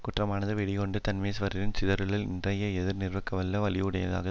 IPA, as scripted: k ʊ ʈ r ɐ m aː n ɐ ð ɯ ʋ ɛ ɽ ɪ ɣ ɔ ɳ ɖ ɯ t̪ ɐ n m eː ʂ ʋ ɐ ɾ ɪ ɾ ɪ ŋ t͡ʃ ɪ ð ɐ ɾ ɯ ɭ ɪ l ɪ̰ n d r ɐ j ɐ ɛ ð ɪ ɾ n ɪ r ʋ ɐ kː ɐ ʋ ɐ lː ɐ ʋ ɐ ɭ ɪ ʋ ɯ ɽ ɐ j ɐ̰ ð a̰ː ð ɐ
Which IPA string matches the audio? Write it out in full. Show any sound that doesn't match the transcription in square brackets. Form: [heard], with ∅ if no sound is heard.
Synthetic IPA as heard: k ʊ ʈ r ɐ m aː n ɐ ð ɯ ʋ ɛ ɽ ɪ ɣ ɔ ɳ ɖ ɯ t̪ ɐ n m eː [s] ʋ ɐ ɾ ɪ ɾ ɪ [n] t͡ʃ ɪ ð ɐ ɾ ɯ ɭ ɪ l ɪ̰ n d r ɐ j ɐ ɛ ð ɪ ɾ n ɪ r ʋ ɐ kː ɐ ʋ ɐ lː ɐ ʋ ɐ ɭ ɪ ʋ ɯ ɽ ɐ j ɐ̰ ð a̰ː [ɣ] ɐ